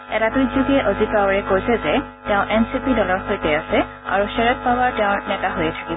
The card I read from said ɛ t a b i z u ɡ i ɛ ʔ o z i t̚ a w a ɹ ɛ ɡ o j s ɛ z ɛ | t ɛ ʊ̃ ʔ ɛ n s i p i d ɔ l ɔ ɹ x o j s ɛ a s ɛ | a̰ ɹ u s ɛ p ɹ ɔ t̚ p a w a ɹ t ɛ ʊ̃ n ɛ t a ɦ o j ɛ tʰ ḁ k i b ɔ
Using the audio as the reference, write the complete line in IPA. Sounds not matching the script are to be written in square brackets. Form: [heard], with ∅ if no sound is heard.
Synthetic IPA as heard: ɛ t a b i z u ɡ i ɛ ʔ o z i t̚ a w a ɹ ɛ [k] o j s ɛ z ɛ | t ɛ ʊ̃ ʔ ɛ n s i p i d ɔ l ɔ ɹ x o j [t] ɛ a s ɛ | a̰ ɹ u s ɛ [∅] ɹ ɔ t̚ p a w a ɹ t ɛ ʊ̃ n ɛ t a ɦ o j ɛ tʰ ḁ k i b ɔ